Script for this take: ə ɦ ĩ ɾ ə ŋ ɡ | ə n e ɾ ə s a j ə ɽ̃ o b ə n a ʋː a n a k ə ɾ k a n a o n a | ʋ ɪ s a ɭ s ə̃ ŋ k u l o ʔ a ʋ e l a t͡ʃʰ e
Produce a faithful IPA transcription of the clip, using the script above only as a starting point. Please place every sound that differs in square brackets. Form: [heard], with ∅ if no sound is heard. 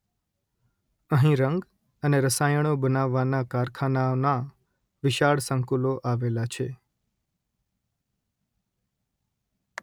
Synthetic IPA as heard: ə ɦ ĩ ɾ ə ŋ ɡ | ə n e ɾ ə s a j ə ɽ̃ o b ə n a ʋː a n a k [a] ɾ [kʰ] a n a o n a | ʋ ɪ [ʃ] a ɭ s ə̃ ŋ k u l o ʔ a ʋ e l a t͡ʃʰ e